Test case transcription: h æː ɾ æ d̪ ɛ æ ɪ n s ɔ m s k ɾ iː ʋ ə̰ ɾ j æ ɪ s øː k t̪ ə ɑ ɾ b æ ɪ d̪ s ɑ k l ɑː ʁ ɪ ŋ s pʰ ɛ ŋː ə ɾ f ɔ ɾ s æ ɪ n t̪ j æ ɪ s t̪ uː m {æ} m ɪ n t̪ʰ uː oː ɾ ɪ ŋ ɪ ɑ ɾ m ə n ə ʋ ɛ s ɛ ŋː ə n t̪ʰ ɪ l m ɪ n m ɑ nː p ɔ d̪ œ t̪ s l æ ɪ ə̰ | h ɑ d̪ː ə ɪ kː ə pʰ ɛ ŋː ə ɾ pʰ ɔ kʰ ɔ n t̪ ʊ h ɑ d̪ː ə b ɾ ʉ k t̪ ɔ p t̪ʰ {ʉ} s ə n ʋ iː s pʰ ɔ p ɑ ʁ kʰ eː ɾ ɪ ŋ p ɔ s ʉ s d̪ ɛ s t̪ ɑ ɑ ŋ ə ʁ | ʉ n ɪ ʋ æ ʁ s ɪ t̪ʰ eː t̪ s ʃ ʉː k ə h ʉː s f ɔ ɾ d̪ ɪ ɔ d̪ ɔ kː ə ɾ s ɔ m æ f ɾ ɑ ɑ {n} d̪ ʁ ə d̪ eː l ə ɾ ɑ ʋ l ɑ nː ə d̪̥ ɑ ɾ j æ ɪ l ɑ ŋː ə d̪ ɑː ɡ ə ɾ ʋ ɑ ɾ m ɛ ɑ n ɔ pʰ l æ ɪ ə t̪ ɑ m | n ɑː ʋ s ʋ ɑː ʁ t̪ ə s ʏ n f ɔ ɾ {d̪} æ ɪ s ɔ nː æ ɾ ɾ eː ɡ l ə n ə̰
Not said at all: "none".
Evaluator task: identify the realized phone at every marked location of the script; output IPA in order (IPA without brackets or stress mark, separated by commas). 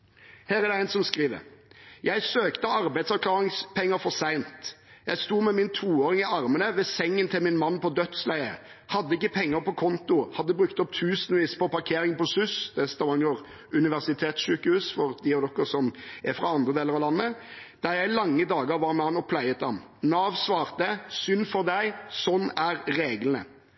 ɛ, ʉː, n, d̪